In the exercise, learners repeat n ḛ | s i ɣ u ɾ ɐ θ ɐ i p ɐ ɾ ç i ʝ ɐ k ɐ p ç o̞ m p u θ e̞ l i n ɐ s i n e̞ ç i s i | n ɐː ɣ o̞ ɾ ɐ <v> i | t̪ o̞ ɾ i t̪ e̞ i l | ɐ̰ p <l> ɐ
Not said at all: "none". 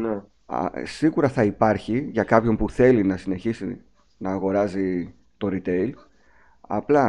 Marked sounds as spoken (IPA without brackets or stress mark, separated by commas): z, l